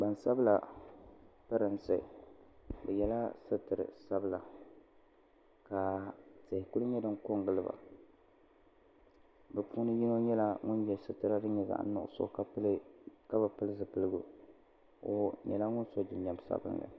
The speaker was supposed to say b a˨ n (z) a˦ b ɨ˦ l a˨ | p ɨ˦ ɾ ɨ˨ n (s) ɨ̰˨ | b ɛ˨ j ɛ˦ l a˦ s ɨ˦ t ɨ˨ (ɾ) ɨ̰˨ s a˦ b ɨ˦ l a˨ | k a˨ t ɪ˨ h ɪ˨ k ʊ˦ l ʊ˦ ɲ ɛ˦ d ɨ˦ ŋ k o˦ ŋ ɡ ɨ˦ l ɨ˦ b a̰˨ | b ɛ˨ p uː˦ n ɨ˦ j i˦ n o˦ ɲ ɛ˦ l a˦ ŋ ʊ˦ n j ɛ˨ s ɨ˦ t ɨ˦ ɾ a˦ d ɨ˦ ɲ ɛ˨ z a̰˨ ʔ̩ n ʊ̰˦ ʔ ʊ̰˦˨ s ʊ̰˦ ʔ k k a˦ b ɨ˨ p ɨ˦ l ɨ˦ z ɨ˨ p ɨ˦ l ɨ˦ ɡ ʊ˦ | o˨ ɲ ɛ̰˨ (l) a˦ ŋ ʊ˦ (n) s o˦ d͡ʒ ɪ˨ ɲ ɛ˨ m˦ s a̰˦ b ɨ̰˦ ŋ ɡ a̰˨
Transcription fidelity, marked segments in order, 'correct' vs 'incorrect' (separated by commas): incorrect, correct, correct, correct, correct